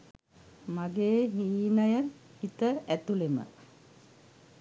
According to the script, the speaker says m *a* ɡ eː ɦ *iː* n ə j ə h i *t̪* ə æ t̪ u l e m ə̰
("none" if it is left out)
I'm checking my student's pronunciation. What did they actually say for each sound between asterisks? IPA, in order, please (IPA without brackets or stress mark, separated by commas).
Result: a, iː, t̪